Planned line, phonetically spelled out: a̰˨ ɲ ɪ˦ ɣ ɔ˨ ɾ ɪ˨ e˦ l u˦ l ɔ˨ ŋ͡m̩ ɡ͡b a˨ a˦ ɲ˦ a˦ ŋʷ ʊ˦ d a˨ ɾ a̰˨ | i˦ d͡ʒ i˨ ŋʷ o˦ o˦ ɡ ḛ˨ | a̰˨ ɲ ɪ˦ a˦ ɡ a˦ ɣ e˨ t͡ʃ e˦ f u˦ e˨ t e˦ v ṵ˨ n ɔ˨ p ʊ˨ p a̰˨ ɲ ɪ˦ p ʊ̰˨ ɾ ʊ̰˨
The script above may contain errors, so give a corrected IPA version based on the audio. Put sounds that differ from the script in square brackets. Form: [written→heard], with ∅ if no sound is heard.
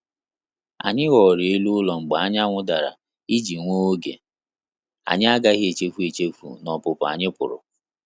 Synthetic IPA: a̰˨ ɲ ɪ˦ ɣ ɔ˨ ɾ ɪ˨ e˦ l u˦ l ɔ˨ ŋ͡m̩ ɡ͡b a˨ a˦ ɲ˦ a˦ ŋʷ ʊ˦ d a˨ ɾ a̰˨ | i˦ d͡ʒ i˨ ŋʷ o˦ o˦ ɡ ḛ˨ | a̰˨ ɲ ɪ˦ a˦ ɡ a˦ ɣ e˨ t͡ʃ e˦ f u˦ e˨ [t→t͡ʃ] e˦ [v→f] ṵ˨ n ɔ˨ p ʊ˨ p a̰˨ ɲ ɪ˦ p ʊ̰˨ ɾ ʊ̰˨